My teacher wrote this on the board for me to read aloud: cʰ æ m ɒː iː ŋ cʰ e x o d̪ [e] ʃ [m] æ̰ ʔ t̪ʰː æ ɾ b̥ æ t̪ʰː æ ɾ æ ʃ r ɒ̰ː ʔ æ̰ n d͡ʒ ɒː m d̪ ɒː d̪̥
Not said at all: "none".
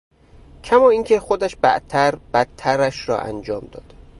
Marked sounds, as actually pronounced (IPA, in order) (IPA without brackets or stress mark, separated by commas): æ, b